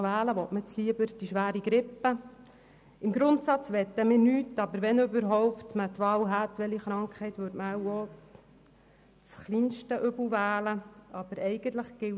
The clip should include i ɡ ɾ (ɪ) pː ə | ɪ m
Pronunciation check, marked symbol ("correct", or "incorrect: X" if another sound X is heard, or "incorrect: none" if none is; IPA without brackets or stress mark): correct